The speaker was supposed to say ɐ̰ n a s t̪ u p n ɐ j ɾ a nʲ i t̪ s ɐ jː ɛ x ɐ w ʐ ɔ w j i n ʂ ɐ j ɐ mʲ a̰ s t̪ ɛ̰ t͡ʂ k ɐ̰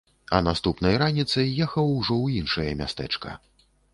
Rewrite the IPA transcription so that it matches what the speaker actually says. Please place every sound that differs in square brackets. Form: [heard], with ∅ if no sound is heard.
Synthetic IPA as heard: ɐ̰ n a s t̪ u p n ɐ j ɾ a nʲ i t̪ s ɐ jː ɛ x ɐ w ʐ ɔ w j i n ʂ ɐ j ɐ mʲ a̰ s t̪ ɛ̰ t͡ʂ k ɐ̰